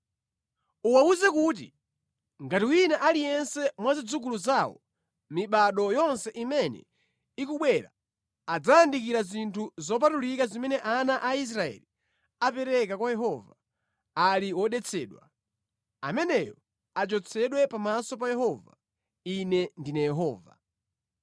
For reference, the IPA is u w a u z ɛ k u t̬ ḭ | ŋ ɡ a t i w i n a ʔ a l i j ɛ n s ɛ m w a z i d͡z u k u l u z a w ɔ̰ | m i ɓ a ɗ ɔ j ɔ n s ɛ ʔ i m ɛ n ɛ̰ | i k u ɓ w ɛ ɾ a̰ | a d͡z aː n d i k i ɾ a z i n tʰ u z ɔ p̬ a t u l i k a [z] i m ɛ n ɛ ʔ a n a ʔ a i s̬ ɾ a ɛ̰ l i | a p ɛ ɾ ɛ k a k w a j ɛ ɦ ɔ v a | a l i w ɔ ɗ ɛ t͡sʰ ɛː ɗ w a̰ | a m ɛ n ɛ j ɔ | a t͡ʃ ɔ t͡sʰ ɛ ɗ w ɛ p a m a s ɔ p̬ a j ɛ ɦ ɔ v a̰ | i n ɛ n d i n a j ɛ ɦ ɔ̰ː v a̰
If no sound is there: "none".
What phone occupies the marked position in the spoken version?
z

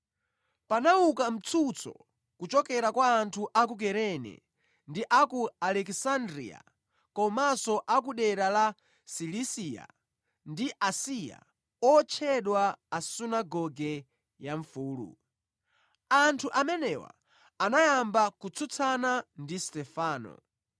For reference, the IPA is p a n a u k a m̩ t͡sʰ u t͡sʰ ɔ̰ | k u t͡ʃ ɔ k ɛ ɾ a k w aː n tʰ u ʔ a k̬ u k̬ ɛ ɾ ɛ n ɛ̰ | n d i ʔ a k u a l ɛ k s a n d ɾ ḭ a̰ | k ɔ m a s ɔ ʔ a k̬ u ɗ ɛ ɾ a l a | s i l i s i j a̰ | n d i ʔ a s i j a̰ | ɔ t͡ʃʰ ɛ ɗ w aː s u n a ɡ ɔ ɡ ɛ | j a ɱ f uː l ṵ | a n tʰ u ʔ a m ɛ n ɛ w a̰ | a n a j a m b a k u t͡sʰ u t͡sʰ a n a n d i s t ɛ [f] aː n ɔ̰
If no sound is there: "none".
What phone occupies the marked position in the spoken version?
f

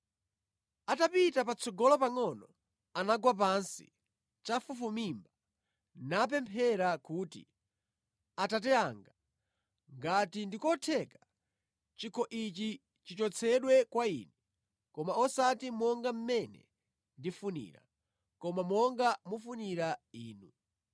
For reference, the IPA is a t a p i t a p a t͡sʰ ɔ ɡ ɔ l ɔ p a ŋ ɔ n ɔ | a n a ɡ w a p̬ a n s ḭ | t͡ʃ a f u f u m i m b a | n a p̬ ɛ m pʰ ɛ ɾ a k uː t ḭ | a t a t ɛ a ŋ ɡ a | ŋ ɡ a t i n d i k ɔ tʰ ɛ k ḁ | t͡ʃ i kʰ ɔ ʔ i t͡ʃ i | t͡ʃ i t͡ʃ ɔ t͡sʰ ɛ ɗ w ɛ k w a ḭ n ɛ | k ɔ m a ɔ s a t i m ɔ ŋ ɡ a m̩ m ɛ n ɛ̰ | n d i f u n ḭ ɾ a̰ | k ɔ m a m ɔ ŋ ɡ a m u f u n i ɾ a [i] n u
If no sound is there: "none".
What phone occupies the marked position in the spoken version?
iː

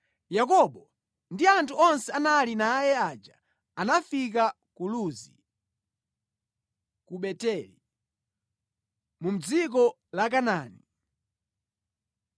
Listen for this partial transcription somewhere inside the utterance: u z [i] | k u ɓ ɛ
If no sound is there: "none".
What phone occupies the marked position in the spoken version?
i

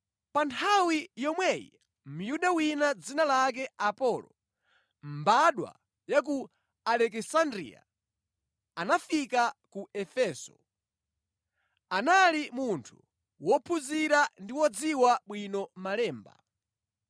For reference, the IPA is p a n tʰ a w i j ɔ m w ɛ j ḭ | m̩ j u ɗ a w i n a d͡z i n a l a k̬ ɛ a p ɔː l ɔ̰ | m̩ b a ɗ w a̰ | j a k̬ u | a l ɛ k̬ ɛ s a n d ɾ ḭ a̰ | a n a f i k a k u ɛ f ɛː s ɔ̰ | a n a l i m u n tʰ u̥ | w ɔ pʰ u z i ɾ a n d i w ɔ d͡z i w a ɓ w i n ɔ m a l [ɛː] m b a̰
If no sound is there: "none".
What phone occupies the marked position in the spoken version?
ɛː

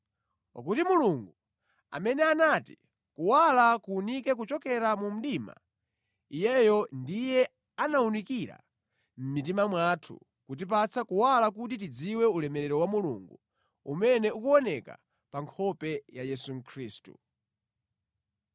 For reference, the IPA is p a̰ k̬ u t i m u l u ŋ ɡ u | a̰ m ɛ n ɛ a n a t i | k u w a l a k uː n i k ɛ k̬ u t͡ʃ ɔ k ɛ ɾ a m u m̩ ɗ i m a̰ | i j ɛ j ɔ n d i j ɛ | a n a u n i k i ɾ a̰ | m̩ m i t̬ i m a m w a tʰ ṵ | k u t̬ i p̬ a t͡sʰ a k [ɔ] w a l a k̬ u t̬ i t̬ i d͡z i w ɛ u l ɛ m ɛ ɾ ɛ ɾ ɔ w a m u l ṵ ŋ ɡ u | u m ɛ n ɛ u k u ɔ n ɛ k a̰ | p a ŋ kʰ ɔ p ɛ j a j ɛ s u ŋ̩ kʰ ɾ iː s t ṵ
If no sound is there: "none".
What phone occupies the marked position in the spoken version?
u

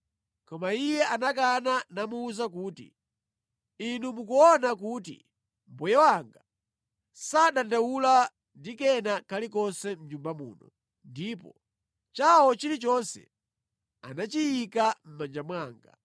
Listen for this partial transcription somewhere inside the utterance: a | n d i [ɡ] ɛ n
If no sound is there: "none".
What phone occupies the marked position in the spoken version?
k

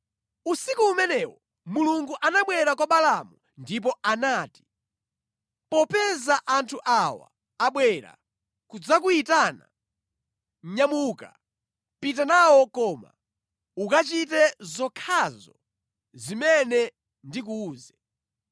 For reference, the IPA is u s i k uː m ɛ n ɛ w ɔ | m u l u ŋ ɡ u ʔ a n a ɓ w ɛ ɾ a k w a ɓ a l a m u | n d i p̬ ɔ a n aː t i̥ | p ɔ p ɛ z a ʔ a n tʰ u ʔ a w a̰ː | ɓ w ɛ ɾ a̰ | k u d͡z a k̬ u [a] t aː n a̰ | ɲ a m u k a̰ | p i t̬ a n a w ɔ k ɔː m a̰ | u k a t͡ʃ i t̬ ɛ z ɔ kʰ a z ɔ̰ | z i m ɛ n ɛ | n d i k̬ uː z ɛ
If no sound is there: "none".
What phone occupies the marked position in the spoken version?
i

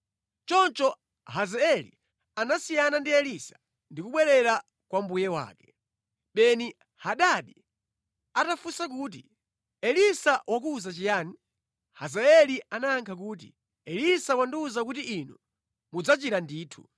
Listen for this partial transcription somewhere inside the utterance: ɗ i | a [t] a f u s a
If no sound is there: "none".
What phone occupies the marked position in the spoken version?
t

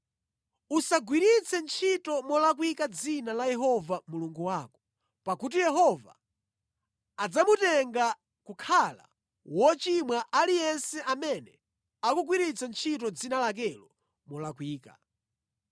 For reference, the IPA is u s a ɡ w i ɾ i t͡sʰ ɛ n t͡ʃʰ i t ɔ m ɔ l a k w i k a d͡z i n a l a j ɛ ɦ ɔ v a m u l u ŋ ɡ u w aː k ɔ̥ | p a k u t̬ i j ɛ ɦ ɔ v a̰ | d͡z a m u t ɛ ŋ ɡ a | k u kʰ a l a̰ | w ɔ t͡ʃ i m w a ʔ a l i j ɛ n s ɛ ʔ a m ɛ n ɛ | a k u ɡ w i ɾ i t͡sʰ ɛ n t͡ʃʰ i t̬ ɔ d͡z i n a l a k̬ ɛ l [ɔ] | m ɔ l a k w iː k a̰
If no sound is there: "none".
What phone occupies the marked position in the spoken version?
ɔ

